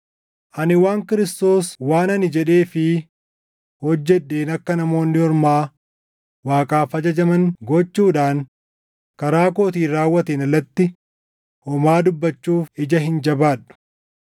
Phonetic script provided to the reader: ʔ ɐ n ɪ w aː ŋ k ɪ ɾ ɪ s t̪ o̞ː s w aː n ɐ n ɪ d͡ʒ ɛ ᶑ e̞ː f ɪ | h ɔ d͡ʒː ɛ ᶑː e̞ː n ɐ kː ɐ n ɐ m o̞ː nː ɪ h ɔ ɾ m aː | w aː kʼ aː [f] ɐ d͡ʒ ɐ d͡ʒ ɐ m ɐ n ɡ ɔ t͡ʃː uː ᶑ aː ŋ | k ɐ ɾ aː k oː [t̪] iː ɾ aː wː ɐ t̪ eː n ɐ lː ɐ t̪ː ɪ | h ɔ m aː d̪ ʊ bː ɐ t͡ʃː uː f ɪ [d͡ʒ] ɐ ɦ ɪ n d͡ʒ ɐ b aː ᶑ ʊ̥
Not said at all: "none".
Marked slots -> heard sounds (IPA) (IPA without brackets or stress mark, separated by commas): f, t̪, d͡ʒ